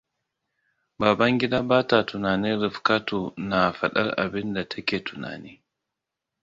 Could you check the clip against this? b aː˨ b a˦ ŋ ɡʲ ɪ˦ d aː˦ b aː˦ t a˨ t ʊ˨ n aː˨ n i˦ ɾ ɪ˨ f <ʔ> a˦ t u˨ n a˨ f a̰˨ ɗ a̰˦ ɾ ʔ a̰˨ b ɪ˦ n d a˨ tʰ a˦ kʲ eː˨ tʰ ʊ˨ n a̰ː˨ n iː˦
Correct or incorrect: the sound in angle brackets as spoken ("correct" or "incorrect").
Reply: incorrect